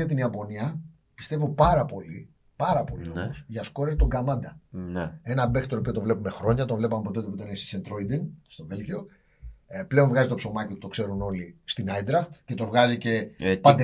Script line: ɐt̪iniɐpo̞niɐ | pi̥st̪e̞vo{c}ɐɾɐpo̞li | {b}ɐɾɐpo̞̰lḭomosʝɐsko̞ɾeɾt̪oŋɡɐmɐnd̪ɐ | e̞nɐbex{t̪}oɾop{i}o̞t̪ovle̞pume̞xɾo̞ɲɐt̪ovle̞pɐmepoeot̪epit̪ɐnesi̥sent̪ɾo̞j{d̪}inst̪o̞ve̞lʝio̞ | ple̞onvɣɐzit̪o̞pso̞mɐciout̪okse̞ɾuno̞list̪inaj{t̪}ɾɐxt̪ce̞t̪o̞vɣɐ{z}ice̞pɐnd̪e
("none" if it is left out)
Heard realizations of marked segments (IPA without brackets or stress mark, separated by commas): p, p, t̪, i, d̪, d̪, z